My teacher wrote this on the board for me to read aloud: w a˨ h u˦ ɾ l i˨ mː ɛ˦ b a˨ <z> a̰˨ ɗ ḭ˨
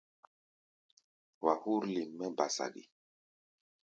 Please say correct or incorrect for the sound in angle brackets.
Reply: incorrect